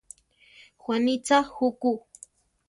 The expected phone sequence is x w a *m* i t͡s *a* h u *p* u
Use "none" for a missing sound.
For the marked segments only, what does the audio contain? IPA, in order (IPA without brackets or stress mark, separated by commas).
n, a, k